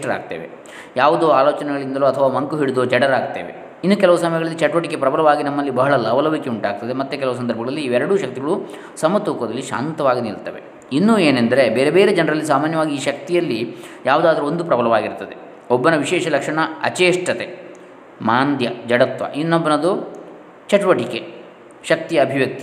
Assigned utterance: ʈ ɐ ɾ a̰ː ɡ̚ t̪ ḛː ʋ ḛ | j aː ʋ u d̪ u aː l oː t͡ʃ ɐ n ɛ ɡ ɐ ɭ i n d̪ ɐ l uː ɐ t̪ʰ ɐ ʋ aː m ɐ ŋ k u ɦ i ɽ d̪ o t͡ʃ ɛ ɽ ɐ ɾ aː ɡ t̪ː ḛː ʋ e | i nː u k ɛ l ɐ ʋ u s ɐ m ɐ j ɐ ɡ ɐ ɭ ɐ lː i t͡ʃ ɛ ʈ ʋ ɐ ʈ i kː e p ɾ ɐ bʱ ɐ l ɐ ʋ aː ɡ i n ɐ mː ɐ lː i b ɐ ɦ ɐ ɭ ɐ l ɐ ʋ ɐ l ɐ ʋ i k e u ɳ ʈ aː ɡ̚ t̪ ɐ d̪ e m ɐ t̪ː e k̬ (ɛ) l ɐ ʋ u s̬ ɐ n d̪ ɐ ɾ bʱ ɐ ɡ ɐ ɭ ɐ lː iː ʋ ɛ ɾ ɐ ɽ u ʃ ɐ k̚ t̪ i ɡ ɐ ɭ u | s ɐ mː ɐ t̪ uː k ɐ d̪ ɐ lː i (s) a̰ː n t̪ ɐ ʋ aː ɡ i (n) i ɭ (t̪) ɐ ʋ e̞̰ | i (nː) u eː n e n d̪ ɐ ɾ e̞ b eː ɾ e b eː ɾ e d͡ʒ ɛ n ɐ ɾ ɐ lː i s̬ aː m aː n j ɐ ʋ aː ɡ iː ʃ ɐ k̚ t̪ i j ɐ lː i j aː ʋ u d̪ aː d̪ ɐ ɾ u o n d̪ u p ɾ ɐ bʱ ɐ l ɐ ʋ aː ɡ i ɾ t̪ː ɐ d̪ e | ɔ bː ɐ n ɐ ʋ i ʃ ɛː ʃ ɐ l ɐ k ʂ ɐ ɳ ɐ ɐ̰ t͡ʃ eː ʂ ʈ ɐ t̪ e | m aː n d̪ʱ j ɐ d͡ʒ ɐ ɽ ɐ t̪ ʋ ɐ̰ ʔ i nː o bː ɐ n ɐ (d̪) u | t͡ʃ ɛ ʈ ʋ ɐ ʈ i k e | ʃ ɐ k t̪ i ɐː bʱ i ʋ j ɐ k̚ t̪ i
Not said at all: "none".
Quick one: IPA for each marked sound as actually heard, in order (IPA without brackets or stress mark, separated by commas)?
ɛ, ʃ, n, t̪, nː, d̪